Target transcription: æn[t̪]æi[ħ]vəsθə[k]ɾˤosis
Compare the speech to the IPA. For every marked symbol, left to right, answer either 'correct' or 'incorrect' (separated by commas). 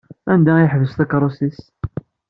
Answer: incorrect, correct, correct